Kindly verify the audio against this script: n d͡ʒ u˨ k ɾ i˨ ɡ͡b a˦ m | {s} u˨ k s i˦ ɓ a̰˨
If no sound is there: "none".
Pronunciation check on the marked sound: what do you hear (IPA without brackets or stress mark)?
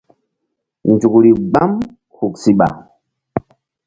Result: h